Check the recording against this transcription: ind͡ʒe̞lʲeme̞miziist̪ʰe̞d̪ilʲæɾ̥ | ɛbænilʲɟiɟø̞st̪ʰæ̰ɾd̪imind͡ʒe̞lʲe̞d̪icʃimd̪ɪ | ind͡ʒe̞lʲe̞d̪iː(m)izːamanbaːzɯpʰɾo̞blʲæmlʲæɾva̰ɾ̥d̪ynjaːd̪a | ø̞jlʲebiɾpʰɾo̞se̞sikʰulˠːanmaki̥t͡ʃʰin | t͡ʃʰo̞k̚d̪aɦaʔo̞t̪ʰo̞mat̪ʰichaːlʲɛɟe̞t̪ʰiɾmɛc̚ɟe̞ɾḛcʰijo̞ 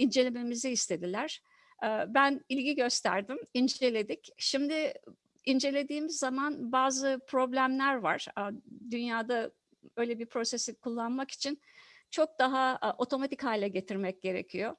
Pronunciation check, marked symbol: correct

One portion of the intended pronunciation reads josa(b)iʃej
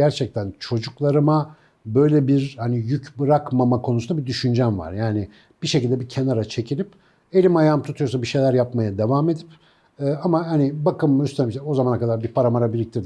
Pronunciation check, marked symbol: correct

